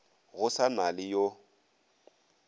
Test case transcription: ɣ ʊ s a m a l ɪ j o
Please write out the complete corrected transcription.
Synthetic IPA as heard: ɣ ʊ s a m a l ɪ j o